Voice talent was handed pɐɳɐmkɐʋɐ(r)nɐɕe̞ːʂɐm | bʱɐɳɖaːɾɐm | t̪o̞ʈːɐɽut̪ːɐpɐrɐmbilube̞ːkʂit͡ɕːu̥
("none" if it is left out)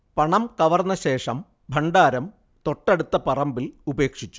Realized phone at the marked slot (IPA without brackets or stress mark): r